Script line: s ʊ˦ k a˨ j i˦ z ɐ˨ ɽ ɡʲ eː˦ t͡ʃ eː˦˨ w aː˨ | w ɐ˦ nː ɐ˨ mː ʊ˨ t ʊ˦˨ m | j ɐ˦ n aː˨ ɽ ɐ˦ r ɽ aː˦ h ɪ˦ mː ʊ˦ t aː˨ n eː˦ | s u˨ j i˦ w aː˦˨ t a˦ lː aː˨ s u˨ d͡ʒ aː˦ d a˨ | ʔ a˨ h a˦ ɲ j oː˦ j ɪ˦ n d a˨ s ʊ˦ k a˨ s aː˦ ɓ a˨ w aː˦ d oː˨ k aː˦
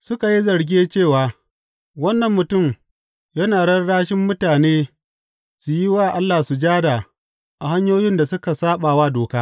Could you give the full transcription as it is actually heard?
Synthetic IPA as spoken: s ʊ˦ k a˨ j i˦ z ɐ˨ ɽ ɡʲ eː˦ t͡ʃ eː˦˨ w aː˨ | w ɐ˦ nː ɐ˨ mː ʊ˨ t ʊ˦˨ m | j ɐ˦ n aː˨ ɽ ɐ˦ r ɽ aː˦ ʃ ɪ˦ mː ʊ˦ t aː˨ n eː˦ | s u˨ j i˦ w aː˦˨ ʔ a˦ lː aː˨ s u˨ d͡ʒ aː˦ d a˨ | ʔ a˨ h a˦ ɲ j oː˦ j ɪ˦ n d a˨ s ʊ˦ k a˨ s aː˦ ɓ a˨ w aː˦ d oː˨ k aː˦

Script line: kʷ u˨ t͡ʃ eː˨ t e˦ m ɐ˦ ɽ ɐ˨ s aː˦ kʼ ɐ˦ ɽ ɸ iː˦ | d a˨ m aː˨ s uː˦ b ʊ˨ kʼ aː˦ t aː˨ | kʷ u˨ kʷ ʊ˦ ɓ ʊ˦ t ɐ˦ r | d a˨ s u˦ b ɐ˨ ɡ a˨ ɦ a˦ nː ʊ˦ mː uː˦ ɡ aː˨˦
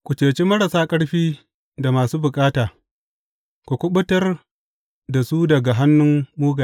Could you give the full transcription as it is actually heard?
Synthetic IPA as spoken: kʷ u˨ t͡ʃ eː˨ t͡ʃ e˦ m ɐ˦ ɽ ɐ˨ s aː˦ kʼ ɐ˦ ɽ ɸ iː˦ | d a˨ m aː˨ s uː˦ b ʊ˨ kʼ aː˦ t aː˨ | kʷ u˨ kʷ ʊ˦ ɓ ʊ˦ t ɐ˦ r | d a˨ s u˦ d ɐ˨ ɡ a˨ ɦ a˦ nː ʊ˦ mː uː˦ ɡ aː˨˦

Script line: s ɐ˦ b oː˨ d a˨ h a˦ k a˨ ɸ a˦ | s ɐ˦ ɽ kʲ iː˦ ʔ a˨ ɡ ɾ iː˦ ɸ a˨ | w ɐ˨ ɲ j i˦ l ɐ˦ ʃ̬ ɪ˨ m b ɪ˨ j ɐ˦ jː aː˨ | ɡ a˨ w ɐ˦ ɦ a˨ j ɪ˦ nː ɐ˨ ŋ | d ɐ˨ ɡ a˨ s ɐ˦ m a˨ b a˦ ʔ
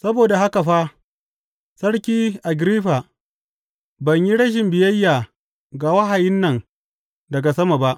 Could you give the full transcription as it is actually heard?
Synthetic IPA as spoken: s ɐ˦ b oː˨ d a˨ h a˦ k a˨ ɸ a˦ | s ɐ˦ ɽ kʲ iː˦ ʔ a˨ ɡ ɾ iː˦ ɸ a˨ | b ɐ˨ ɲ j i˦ ɽ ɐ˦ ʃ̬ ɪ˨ m b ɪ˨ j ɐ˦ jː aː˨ | ɡ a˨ w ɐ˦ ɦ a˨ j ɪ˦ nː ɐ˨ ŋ | d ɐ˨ ɡ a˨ s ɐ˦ m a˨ b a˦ ʔ

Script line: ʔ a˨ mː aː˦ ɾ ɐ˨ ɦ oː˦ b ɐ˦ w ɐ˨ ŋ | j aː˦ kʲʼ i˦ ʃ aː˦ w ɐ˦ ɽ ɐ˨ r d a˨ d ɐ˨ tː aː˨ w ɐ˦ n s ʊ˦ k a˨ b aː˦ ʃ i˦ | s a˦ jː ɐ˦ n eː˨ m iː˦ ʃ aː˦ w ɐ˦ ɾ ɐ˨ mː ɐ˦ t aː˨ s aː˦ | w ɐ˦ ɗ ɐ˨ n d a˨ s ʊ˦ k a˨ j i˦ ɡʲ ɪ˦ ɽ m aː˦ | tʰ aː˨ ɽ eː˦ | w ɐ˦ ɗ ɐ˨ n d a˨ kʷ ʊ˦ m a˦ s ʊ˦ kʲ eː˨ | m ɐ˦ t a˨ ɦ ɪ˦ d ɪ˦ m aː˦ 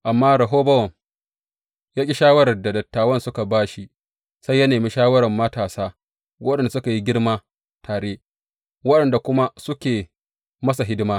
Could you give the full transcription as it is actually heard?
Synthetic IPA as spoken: ʔ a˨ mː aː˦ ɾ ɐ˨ ɦ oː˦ b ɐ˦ w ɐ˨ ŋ | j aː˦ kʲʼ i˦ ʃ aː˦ w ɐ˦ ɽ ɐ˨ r d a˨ d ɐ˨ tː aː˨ w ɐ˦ n s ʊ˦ k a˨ b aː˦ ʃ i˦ | s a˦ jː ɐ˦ n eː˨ m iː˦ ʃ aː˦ w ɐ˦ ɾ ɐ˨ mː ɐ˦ t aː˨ s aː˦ | w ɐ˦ ɗ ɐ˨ n d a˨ s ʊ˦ k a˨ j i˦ ɡʲ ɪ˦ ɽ m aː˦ | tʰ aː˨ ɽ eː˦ | w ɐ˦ ɗ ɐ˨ n d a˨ kʷ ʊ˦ m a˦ s ʊ˦ kʲ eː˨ | m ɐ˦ s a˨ ɦ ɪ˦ d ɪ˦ m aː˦

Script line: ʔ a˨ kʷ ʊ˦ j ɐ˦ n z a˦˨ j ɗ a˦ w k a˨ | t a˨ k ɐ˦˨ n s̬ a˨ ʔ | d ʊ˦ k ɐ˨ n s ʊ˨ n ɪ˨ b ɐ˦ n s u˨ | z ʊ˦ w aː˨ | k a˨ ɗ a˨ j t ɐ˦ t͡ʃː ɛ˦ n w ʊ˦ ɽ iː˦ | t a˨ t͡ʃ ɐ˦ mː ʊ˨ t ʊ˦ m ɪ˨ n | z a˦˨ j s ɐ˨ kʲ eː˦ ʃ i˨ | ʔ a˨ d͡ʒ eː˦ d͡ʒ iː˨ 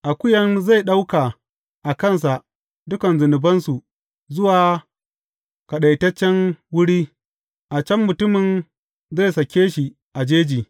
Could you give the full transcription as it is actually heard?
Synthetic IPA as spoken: ʔ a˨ kʷ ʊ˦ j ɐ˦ n z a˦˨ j ɗ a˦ w k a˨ | ʔ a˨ k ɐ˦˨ n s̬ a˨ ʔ | d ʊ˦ k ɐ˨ n z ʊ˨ n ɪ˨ b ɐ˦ n s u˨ | z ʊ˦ w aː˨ | k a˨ ɗ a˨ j t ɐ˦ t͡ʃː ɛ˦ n w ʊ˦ ɽ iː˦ | ʔ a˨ t͡ʃ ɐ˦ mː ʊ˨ t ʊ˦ m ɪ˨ n | z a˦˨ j s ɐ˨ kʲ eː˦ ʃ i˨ | ʔ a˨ d͡ʒ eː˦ d͡ʒ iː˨

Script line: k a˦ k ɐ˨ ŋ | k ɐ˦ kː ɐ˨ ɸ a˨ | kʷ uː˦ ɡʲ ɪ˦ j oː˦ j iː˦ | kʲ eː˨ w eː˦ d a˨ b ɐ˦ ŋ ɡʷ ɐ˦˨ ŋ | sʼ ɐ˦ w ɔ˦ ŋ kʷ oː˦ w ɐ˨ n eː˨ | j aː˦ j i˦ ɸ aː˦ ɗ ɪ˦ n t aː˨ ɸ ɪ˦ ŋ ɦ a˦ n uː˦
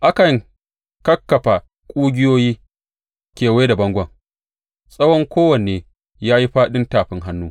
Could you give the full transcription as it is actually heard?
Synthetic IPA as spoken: ʔ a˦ k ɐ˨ ŋ | k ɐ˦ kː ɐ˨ ɸ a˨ | kʷʼ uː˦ ɡʲ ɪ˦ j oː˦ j iː˦ | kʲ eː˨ w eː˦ d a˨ b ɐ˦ ŋ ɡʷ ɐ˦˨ ŋ | sʼ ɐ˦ w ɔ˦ ŋ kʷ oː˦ w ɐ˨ n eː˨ | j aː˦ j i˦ ɸ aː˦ ɗ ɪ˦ n t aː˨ ɸ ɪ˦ ŋ ɦ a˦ nː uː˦

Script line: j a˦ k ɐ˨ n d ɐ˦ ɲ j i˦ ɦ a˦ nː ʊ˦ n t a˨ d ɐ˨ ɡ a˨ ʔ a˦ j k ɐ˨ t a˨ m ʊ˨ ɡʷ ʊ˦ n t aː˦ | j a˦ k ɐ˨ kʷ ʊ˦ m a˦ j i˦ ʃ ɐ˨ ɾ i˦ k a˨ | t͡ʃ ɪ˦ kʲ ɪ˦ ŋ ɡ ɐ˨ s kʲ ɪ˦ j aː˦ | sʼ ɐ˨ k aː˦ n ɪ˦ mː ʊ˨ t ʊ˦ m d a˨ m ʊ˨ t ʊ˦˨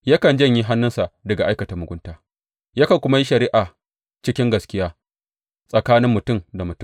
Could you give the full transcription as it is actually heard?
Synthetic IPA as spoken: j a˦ k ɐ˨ n d͡ʒ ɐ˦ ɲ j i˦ ɦ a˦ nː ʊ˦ n s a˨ d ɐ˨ ɡ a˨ ʔ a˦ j k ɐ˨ t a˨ m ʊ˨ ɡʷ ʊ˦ n t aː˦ | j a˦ k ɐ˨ kʷ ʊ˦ m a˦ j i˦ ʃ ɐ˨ ɾ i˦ ʔ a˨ | t͡ʃ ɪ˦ kʲ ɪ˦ ŋ ɡ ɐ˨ s kʲ ɪ˦ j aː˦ | sʼ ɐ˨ k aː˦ n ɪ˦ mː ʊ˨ t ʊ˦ m d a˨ m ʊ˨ t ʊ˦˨

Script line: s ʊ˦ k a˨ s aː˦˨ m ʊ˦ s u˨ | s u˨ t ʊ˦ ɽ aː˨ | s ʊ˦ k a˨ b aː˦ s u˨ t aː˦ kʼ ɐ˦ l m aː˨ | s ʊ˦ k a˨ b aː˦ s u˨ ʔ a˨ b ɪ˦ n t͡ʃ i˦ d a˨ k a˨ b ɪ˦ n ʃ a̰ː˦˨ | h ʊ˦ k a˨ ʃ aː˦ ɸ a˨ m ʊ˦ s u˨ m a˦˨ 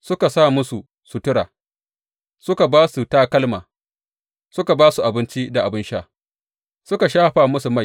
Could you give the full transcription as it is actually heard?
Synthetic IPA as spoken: s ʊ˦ k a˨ s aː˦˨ m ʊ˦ s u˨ | s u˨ t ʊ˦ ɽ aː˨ | s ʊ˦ k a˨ b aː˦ s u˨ t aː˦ k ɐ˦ l m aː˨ | s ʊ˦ k a˨ b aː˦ s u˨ ʔ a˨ b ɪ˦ n t͡ʃ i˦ d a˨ ʔ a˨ b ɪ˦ n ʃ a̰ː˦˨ | s ʊ˦ k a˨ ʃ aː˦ ɸ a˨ m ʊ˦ s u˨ m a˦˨

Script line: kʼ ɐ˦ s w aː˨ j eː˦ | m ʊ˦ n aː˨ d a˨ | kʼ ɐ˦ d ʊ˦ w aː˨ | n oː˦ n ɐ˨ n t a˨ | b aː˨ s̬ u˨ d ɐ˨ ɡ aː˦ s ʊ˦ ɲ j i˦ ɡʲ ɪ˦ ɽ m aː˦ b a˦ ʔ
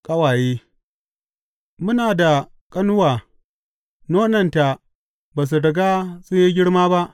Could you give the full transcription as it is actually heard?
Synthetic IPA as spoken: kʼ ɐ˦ w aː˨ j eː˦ | m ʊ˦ n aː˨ d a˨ | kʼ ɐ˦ n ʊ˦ w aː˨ | n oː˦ n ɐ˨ n t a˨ | b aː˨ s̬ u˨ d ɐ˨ ɡ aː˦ s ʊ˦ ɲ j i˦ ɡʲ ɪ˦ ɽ m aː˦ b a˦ ʔ

